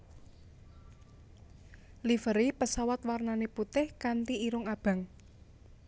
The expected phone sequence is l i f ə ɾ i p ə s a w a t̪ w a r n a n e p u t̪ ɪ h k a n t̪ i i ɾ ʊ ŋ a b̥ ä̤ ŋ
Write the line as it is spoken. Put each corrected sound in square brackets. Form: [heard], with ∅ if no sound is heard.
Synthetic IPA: l i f ə ɾ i p ə s a w a t̪ w a r n a n e p u t̪ ɪ h k a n t̪ i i ɾ ʊ ŋ a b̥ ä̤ ŋ